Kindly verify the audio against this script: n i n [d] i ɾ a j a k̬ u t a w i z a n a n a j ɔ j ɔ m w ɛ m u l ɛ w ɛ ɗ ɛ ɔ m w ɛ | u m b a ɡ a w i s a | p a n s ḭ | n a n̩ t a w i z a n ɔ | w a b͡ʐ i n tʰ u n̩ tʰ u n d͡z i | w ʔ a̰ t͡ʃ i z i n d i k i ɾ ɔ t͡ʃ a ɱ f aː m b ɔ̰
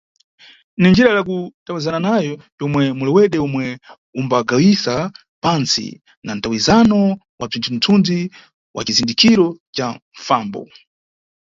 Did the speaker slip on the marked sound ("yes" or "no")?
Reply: yes